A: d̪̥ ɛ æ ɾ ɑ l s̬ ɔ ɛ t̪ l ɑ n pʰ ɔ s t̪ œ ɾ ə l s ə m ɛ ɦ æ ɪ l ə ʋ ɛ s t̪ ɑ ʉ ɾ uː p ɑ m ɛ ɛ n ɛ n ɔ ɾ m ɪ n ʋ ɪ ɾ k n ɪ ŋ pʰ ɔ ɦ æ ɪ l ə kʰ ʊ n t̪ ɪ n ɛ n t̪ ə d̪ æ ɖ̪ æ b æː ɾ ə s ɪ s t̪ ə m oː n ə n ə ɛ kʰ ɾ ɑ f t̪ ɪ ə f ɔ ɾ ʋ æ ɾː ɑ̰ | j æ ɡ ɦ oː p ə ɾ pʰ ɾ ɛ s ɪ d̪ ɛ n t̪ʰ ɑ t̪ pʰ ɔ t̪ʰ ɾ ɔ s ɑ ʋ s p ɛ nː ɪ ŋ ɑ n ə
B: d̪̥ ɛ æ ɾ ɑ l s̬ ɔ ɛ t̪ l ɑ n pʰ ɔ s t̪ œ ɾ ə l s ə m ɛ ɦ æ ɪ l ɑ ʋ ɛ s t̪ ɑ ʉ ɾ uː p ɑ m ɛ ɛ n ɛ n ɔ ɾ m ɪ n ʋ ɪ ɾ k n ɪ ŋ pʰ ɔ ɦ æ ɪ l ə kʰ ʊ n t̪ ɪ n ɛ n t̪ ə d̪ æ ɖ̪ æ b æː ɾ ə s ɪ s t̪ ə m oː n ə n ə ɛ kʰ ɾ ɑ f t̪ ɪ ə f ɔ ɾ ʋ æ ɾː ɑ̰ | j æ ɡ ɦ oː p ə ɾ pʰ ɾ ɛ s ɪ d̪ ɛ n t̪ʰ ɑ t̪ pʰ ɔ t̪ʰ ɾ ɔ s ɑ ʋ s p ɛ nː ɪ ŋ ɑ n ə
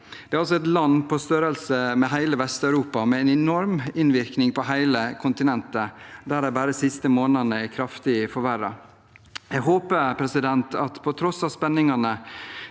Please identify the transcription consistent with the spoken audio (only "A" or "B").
A